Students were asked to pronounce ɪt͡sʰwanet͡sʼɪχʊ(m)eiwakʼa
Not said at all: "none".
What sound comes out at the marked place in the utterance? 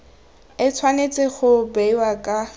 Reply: b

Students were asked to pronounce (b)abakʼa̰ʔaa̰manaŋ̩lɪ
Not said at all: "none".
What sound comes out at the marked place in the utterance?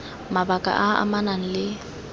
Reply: m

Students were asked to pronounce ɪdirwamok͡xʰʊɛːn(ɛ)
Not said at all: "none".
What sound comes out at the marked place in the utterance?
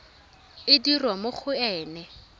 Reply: ɛ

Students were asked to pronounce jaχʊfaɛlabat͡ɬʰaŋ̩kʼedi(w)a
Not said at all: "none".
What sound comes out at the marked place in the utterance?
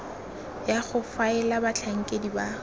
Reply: b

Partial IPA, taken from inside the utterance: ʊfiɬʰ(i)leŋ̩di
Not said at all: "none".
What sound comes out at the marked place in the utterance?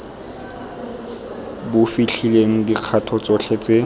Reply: i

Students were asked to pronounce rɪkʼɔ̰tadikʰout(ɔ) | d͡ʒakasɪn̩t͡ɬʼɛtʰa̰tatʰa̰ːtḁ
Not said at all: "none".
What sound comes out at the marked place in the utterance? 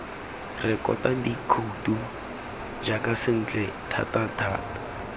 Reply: u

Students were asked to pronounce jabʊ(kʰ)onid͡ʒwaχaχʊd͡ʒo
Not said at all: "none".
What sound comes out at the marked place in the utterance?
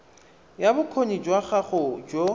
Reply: kʰ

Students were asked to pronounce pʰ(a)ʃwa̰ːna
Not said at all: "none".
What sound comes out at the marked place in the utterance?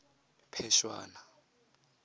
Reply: ɛ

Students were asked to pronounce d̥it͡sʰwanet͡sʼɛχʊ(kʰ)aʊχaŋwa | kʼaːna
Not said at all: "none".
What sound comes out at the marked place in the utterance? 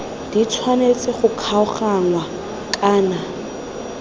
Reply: kʰ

